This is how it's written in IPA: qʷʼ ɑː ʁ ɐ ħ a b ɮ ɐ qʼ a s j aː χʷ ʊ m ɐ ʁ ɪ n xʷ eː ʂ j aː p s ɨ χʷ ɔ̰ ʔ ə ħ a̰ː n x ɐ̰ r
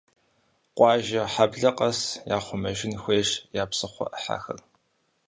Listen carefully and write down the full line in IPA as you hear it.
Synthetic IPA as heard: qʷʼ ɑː ʒ ɐ ħ a b ɮ ɐ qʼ ɐ s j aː χʷ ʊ m ɐ ʒ ɪ n xʷ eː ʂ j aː p s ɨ χʷ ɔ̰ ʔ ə ħ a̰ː x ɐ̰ r